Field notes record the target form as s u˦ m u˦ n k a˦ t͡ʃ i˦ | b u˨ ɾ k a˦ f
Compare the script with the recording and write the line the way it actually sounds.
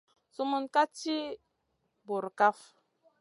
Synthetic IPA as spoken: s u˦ m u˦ n k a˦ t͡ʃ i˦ | b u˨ ɾ k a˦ f